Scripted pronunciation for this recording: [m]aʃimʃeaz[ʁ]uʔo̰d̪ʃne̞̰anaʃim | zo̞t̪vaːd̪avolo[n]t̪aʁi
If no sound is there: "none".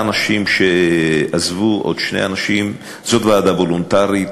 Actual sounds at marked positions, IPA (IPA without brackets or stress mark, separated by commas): n, v, n